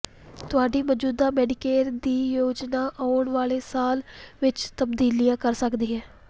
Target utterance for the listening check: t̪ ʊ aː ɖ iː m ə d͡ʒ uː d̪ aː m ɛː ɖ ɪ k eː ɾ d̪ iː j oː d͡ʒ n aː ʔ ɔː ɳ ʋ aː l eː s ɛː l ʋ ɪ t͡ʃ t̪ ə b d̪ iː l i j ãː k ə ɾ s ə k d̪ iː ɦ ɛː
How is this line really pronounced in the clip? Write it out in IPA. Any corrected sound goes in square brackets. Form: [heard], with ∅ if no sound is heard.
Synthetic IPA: t̪ ʊ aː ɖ iː m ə d͡ʒ uː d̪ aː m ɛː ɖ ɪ k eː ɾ d̪ iː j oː d͡ʒ n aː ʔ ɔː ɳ ʋ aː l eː s [aː] l ʋ ɪ t͡ʃ t̪ ə b d̪ iː l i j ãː k ə ɾ s ə k d̪ iː ɦ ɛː